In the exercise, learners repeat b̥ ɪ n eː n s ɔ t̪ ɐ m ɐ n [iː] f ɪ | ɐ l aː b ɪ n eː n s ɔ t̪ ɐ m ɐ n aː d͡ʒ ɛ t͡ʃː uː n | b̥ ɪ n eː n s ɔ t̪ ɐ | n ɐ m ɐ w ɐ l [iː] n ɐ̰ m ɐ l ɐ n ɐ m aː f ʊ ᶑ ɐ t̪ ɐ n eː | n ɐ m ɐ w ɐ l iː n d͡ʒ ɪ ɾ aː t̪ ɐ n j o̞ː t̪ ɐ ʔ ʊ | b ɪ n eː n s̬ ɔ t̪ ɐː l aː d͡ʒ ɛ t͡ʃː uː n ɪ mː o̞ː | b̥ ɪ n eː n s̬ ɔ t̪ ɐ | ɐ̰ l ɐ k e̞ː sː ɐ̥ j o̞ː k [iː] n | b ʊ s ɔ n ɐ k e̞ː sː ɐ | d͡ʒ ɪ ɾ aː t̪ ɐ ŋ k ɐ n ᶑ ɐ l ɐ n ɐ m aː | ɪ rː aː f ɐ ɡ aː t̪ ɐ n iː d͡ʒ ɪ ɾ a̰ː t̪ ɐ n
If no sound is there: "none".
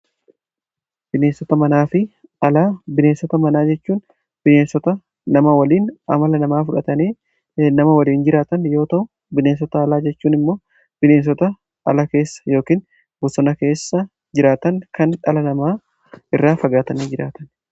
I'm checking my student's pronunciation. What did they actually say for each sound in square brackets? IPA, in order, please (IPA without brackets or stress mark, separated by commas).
aː, iː, iː